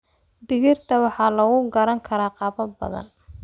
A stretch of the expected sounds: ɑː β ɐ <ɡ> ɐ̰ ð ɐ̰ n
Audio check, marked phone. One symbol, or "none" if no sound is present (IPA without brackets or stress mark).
b